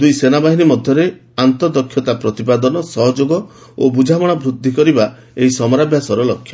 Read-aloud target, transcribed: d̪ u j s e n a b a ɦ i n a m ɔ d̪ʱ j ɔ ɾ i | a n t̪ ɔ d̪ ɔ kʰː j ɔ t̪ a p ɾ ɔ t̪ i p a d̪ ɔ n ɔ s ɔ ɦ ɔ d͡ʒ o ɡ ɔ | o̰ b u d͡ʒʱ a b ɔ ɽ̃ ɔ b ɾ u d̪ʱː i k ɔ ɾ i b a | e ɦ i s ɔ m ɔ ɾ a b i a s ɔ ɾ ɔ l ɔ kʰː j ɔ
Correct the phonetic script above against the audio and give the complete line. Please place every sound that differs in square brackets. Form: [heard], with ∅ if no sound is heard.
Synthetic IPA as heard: d̪ u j s e n a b a ɦ i n [i] m ɔ d̪ʱ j ɔ ɾ [e] | a n t̪ ɔ d̪ ɔ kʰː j ɔ t̪ a p ɾ ɔ t̪ i p a d̪ ɔ n ɔ s ɔ ɦ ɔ d͡ʒ o ɡ ɔ | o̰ b u d͡ʒʱ a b ɔ ɽ̃ ɔ b ɾ u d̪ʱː i k ɔ ɾ i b a | e ɦ i s ɔ m ɔ ɾ a b [j] a s ɔ ɾ ɔ l ɔ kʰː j ɔ